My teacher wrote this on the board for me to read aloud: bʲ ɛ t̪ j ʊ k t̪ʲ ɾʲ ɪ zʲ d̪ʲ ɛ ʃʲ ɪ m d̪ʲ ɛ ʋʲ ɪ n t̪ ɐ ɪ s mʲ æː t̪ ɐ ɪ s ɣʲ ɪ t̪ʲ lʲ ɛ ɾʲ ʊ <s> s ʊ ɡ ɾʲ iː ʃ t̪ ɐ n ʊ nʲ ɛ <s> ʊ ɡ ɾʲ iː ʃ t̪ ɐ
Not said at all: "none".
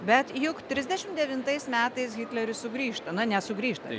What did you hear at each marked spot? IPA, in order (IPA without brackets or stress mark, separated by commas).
s, s